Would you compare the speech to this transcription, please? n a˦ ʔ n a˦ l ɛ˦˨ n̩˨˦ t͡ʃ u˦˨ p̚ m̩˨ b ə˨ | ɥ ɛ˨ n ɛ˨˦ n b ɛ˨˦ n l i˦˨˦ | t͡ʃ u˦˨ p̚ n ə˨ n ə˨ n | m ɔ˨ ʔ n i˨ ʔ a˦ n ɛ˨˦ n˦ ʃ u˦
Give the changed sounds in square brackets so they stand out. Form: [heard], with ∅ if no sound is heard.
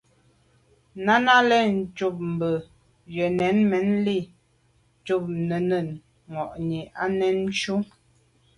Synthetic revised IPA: n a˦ [∅] n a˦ l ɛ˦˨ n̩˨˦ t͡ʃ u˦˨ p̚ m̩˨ b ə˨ | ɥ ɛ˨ n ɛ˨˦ n [m] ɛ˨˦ n l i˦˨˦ | t͡ʃ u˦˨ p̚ n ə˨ n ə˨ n | [ŋ] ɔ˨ ʔ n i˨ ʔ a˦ n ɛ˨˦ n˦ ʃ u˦